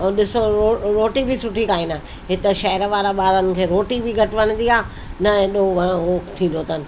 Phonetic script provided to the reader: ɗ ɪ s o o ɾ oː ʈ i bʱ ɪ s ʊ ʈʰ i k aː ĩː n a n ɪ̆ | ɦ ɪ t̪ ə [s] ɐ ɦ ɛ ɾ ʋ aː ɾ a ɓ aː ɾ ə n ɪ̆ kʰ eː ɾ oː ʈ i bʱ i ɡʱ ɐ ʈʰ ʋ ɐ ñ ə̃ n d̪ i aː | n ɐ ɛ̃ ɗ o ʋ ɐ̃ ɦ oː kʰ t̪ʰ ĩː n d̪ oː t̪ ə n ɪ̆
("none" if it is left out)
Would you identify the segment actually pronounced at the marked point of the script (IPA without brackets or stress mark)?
ʃ